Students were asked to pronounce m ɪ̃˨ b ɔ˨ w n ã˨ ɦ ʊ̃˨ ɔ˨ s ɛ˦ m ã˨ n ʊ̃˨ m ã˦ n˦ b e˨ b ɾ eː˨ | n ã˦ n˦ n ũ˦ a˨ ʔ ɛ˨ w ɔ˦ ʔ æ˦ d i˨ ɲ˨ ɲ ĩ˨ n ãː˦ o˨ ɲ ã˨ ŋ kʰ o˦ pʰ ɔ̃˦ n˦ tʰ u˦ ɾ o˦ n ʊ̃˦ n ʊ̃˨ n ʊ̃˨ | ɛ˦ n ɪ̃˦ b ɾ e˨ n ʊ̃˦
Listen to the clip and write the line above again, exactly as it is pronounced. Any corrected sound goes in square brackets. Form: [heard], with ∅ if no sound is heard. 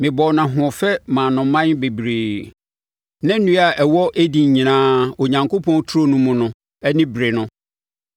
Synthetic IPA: m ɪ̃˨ b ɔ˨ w n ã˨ ɦ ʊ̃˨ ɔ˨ [f] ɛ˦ m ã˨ n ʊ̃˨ m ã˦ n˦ b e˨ b ɾ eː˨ | n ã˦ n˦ n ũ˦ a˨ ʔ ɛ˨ w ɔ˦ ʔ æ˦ d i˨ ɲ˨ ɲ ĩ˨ n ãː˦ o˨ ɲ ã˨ ŋ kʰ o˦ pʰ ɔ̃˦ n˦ tʰ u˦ ɾ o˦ n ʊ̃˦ [m] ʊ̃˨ n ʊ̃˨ | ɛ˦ n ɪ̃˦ b ɾ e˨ n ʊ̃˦